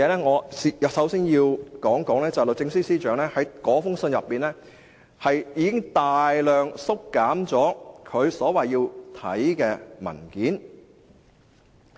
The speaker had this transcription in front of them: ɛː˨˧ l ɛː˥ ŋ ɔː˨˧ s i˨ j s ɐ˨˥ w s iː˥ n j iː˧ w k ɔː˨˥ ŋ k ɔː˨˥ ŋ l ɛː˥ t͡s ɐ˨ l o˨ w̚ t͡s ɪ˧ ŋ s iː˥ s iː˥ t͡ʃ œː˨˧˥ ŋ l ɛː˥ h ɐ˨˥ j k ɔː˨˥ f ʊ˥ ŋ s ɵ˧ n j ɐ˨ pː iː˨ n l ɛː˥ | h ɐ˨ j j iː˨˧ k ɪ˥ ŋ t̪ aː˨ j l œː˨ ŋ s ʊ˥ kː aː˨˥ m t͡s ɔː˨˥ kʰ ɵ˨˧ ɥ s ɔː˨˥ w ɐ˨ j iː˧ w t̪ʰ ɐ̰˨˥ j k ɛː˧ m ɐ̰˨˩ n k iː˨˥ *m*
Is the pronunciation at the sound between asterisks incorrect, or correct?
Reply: incorrect